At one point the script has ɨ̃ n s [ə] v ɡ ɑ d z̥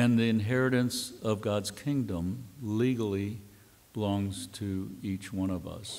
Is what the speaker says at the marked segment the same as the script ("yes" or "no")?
no